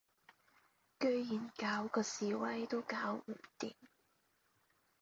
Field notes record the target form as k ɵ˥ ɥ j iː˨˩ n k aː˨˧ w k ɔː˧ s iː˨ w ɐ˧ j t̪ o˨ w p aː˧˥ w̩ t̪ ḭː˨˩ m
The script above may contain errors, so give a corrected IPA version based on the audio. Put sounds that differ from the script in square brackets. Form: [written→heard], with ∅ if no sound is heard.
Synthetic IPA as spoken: k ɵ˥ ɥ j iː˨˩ n k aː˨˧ w k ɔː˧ s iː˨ w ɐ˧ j t̪ [o˨→o˥] w [p→k] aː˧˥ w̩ t̪ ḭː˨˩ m